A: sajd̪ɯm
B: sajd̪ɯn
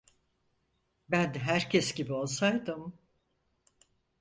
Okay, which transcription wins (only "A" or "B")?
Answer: A